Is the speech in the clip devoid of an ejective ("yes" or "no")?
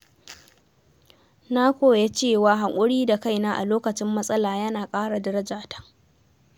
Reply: no